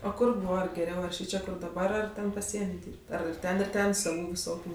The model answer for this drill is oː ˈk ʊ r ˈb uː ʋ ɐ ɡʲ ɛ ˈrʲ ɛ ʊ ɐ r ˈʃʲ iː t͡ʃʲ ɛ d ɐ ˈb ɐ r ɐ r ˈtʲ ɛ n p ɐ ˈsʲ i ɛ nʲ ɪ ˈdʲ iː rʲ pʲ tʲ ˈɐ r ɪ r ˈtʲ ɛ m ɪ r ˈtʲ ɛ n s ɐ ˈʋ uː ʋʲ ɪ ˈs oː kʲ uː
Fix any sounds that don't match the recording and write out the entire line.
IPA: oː ˈk ʊ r ˈb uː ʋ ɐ ɡʲ ɛ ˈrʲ ɛ ʊ ɐ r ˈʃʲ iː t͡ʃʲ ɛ d ɐ ˈb ɐ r ɐ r ˈtʲ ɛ n p ɐ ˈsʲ i ɛ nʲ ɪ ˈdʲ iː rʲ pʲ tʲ ˈɐ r ɪ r ˈtʲ ɛ n ɪ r ˈtʲ ɛ n s ɐ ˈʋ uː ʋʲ ɪ ˈs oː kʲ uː